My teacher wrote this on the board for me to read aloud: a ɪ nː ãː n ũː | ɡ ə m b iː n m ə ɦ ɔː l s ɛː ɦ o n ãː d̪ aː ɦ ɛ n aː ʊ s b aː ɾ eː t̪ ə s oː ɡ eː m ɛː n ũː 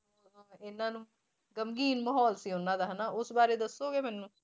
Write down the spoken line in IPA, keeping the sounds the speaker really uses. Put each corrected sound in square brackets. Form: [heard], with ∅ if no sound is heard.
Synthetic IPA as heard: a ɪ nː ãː n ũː | ɡ ə m [ɡ] iː n m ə ɦ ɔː l s [iː] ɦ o n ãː d̪ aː ɦ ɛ n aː ʊ s b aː ɾ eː [d̪] ə s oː ɡ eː m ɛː n ũː

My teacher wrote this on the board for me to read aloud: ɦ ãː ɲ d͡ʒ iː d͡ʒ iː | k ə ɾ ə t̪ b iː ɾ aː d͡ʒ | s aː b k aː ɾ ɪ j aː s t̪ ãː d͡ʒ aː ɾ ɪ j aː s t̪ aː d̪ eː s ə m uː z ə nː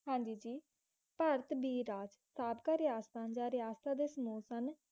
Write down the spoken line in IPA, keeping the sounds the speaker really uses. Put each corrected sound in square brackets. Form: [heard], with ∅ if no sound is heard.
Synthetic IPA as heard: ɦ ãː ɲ d͡ʒ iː d͡ʒ iː | [p] ə ɾ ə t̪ b iː ɾ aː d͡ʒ | s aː b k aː ɾ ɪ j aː s t̪ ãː d͡ʒ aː ɾ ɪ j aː s t̪ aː d̪ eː s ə m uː [s] ə [n]

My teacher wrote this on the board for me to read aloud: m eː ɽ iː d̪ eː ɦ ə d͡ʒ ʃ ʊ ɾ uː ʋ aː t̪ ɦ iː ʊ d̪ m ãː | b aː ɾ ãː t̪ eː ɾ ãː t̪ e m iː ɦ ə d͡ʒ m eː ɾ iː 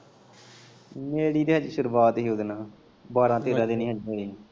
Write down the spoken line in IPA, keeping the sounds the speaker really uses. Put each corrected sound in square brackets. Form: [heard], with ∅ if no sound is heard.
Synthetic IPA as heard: m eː ɽ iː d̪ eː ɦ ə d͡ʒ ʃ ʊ ɾ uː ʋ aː t̪ ɦ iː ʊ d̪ [n] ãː | b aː ɾ ãː t̪ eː ɾ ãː [d̪] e [n] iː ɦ ə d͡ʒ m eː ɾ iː

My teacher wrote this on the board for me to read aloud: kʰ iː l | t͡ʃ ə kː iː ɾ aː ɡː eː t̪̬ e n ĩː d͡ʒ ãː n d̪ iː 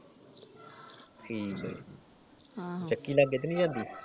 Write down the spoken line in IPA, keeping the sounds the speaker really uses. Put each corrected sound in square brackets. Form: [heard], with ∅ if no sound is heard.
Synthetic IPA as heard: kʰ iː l | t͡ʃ ə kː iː [l] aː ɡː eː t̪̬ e n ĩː d͡ʒ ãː n d̪ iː

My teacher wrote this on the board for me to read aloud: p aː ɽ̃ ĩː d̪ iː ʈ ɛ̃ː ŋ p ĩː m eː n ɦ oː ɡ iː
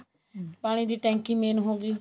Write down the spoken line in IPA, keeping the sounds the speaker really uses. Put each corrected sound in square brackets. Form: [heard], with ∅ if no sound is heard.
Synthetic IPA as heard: p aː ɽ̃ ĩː d̪ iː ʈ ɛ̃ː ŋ [k] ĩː m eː n ɦ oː ɡ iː

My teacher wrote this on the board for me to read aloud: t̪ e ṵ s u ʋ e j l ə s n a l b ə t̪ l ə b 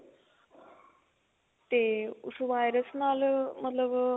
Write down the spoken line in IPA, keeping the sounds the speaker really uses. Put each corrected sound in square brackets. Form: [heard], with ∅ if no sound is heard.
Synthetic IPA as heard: t̪ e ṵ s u ʋ [a] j [ɾ] ə s n a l [m] ə t̪ l ə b

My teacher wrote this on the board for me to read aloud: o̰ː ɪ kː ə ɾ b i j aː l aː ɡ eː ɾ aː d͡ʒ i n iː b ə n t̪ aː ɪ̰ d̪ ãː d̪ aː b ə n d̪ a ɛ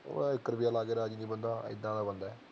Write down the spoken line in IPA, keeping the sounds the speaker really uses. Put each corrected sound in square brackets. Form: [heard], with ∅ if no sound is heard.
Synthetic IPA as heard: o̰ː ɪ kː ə ɾ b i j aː l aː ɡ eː ɾ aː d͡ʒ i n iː b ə n [d̪] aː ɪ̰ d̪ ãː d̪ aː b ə n d̪ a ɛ

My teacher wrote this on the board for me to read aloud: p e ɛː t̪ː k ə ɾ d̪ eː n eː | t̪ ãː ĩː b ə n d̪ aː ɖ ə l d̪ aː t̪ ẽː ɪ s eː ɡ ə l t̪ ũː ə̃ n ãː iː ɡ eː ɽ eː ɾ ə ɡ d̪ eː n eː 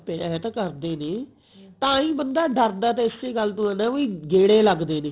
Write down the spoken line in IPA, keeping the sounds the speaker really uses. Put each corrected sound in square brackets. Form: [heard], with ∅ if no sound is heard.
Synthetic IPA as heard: p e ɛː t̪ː k ə ɾ d̪ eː n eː | t̪ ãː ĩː b ə n d̪ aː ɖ ə [ɾ] d̪ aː t̪ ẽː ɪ s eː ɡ ə l t̪ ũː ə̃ n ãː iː ɡ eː ɽ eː [l] ə ɡ d̪ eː n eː

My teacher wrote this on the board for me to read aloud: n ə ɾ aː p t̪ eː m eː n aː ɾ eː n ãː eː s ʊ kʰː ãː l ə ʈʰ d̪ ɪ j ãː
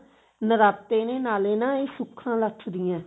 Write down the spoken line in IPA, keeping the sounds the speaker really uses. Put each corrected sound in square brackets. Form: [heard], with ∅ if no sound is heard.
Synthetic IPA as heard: n ə ɾ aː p t̪ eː [n] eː n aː [l] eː n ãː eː s ʊ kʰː ãː l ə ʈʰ d̪ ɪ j ãː

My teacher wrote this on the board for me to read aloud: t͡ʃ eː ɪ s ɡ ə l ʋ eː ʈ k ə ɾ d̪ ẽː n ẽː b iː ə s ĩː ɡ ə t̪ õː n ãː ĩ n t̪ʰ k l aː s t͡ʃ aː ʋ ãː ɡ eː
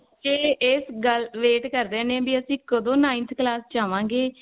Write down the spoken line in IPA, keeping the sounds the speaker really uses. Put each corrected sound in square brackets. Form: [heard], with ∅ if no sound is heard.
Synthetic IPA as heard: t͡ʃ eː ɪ s ɡ ə l ʋ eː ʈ k ə ɾ d̪ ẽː n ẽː b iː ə s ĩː [k] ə [d̪] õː n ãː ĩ n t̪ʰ k l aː s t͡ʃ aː ʋ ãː ɡ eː

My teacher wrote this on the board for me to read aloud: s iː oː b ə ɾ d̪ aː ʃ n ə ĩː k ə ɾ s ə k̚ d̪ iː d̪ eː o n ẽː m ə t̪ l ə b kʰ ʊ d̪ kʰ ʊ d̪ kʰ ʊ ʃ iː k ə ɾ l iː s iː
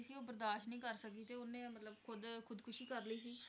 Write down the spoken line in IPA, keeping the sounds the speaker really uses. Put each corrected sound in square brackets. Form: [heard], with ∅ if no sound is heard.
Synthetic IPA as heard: s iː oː b ə ɾ d̪ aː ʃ n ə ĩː k ə ɾ s ə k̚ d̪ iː [t̪] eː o n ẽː m ə t̪ l ə b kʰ ʊ d̪ kʰ ʊ d̪ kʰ ʊ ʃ iː k ə ɾ l iː s iː

